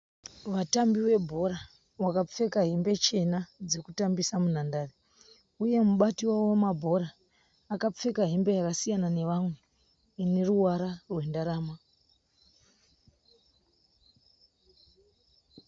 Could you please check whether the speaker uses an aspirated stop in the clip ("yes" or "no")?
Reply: no